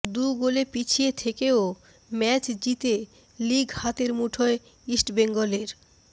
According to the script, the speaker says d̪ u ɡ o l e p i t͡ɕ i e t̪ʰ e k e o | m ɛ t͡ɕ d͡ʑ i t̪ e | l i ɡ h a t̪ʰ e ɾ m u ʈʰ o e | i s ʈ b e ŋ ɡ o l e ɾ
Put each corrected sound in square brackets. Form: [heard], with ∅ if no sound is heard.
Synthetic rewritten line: d̪ u ɡ o l e p i [t͡ɕʰ] i e t̪ʰ e k e o | m ɛ t͡ɕ d͡ʑ i t̪ e | l i ɡ h a [t̪] e ɾ m u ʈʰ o e | i s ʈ b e ŋ ɡ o l e ɾ

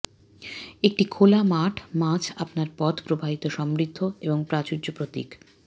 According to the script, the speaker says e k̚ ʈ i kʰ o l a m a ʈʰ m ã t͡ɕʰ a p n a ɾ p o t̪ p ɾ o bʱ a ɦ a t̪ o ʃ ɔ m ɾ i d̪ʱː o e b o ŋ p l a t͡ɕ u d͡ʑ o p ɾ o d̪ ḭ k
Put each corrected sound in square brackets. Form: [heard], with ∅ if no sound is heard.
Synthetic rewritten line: e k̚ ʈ i kʰ o l a m a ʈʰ m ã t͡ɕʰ a p n a ɾ p [ɔ] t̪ p ɾ o bʱ a ɦ [i] t̪ o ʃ ɔ m ɾ i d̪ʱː o e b o ŋ p [ɾ] a t͡ɕ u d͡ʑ o p ɾ o [t̪] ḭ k

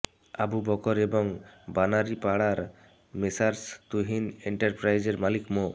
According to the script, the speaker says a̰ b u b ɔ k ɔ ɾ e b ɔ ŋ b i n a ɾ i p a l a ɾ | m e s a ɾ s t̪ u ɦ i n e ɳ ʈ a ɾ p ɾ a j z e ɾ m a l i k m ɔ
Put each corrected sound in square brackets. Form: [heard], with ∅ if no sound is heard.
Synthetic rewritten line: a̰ b u b ɔ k ɔ ɾ e b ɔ ŋ b [a] n a ɾ i p a [ɽ] a ɾ | m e s a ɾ s t̪ u ɦ i n e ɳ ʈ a ɾ p ɾ a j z e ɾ m a l i k m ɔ

